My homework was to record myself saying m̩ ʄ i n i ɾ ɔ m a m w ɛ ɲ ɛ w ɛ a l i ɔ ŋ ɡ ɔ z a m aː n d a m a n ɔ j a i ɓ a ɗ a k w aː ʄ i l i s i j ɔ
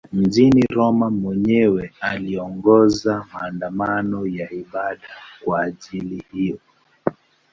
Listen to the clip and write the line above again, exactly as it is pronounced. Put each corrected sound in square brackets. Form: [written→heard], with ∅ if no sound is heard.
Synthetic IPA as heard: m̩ ʄ i n i ɾ ɔ m a m w ɛ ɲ ɛ w ɛ a l i ɔ ŋ ɡ ɔ z a m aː n d a m a n ɔ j a i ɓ a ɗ a k w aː ʄ i l i [s→h] i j ɔ